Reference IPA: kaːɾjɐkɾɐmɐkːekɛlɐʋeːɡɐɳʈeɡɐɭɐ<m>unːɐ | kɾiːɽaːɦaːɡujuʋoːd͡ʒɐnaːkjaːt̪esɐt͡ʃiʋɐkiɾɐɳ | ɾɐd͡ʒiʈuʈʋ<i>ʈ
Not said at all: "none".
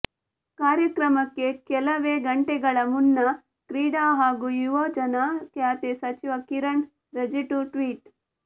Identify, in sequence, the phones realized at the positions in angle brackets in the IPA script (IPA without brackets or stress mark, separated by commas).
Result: m, iː